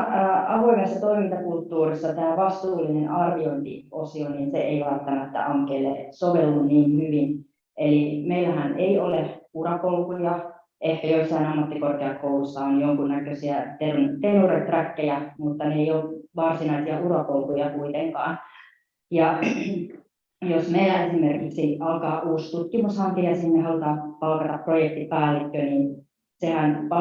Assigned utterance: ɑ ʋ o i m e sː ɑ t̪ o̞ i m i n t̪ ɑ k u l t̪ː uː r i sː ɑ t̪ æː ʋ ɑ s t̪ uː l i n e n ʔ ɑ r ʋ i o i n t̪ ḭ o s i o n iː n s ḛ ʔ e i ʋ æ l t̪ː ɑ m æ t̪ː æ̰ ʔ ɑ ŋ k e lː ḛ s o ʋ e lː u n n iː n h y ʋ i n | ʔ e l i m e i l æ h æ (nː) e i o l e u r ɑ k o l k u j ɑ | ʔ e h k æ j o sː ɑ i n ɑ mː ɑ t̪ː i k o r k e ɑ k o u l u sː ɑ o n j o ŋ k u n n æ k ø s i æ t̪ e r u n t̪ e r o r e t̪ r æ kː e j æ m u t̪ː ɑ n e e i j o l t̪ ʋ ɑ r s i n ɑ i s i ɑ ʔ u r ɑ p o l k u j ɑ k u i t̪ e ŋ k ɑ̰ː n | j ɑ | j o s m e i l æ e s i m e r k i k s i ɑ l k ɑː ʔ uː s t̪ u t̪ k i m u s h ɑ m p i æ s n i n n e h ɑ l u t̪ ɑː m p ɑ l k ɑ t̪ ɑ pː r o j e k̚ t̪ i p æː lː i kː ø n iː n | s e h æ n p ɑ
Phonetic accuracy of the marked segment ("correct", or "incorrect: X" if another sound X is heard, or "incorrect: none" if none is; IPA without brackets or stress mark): incorrect: n